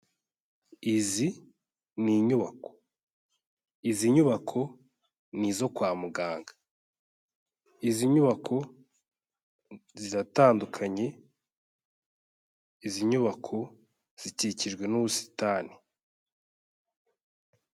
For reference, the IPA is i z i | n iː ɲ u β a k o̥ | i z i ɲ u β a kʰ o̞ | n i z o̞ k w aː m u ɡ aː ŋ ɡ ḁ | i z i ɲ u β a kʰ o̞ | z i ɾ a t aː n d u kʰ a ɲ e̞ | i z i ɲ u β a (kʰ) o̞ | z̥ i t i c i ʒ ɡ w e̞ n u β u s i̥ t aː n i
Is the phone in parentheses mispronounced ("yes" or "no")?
no